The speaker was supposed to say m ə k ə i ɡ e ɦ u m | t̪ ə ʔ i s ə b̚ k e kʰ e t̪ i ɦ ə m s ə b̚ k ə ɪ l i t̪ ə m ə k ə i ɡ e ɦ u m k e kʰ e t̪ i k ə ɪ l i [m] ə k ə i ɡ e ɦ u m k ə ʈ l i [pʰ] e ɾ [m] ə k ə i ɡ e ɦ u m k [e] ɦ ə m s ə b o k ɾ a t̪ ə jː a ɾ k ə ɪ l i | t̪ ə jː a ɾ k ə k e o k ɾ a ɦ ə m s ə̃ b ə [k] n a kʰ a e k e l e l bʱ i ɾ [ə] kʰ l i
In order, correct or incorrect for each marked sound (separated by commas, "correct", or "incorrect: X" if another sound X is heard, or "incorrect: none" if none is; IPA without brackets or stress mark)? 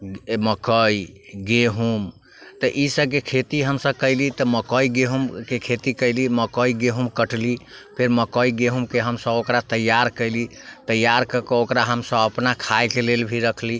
correct, correct, correct, correct, incorrect: p, correct